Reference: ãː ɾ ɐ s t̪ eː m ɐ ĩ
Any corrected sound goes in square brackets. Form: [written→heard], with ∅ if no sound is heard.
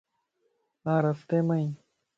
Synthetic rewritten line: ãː ɾ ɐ [s→f] t̪ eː m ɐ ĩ